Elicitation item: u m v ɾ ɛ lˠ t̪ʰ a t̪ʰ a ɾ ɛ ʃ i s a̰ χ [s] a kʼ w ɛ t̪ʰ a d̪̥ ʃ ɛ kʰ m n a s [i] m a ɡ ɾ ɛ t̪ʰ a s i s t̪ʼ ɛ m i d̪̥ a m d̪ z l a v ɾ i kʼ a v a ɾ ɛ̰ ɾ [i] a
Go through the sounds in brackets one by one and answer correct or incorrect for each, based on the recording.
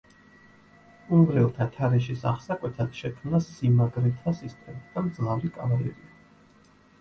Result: correct, correct, correct

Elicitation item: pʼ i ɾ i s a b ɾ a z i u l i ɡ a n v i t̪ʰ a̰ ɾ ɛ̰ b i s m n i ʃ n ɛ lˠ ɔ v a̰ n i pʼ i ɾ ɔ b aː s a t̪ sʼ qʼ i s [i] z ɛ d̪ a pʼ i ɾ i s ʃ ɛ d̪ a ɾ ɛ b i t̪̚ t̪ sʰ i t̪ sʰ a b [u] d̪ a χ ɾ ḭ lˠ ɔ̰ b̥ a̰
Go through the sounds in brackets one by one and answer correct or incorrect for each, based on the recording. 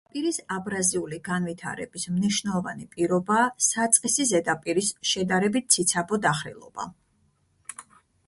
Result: correct, incorrect: ɔ

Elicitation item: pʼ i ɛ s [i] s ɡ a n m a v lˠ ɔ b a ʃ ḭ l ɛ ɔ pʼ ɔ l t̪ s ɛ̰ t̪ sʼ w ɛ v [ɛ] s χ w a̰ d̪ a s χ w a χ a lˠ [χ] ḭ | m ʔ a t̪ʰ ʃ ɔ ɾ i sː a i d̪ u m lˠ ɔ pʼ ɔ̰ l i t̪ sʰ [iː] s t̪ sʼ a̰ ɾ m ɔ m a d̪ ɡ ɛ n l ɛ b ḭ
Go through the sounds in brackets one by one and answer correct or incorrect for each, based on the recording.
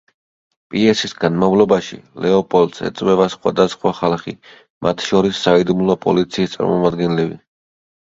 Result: correct, incorrect: a, correct, correct

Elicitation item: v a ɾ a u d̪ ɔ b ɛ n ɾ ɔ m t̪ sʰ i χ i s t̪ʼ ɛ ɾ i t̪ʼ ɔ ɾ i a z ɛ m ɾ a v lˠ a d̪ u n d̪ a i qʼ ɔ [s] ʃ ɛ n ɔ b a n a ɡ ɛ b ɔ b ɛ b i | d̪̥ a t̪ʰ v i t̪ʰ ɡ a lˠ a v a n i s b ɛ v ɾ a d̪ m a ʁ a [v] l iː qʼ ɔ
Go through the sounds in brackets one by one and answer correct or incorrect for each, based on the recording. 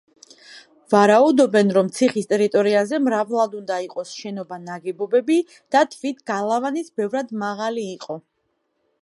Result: correct, incorrect: none

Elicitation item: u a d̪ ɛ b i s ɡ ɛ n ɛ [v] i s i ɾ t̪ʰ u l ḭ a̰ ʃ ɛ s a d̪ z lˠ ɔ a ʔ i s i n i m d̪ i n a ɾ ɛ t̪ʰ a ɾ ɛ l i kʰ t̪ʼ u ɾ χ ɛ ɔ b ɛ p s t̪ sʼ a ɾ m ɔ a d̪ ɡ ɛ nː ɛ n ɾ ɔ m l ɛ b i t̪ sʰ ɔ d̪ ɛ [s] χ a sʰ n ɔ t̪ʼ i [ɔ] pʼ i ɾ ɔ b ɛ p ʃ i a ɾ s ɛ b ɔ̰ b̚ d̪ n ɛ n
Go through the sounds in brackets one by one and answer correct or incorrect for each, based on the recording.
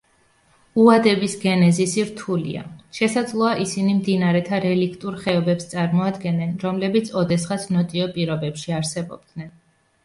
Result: incorrect: z, correct, correct

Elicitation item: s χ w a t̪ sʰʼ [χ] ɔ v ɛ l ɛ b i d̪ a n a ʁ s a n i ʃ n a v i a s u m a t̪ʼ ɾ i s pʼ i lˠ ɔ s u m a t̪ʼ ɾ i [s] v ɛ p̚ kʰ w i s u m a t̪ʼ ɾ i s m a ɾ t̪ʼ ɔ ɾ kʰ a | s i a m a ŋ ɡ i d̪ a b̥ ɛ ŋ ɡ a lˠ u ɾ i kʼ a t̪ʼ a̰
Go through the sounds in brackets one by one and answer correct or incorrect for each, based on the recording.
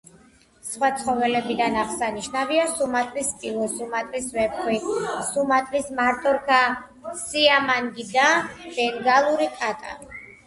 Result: correct, correct

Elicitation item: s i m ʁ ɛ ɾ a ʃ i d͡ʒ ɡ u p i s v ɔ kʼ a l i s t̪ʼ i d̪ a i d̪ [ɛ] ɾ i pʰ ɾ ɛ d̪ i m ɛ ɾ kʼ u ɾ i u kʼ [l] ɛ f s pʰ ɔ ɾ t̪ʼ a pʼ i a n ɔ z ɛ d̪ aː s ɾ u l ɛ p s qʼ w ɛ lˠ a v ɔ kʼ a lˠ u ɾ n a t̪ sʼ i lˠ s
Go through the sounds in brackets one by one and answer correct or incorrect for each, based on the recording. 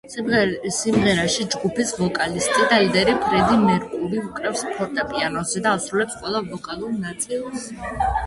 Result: correct, incorrect: ɾ

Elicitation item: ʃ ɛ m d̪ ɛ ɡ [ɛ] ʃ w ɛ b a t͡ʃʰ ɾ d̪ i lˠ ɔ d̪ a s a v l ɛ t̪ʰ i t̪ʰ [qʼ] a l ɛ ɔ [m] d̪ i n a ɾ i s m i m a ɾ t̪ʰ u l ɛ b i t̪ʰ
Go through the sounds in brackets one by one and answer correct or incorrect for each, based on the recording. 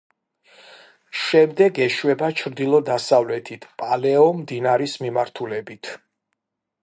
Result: correct, incorrect: pʼ, correct

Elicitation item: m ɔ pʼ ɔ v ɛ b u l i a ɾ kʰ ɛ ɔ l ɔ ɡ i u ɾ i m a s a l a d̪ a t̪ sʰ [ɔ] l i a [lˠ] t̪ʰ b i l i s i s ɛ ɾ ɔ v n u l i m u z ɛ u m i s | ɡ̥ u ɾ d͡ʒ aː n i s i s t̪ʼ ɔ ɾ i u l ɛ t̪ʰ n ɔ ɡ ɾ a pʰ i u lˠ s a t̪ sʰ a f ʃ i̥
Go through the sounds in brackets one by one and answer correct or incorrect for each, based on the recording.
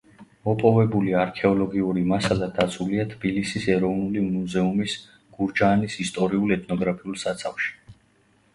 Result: incorrect: u, incorrect: none

